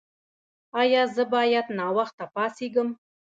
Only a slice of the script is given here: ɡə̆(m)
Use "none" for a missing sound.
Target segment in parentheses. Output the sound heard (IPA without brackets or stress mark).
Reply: m